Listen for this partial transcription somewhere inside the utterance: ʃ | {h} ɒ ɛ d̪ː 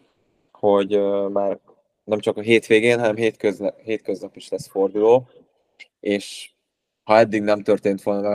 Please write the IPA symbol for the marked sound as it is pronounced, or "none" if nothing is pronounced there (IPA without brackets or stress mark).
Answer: h